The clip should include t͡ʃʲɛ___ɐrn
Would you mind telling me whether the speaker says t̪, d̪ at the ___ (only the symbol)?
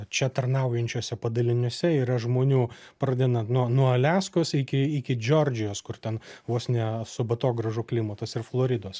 t̪